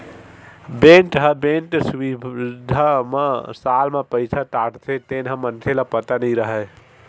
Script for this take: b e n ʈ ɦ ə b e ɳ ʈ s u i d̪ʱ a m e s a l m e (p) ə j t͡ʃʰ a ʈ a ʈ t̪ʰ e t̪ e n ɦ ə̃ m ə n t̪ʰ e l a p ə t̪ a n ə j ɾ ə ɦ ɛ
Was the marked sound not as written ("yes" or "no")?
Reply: no